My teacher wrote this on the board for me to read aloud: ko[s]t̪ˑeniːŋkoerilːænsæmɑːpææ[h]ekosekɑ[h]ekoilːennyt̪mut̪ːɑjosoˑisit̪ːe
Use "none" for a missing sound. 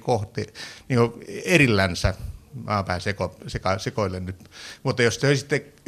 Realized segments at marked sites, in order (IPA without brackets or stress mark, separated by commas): h, s, s